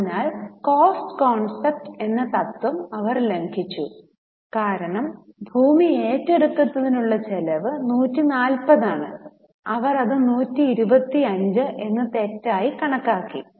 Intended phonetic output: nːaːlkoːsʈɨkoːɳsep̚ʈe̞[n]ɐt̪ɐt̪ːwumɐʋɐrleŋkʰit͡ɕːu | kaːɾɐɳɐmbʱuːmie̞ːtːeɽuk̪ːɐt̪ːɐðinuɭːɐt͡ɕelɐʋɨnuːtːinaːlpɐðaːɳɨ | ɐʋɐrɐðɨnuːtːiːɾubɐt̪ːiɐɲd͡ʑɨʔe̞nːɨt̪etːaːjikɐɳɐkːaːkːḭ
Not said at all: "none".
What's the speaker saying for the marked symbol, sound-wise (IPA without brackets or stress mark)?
nː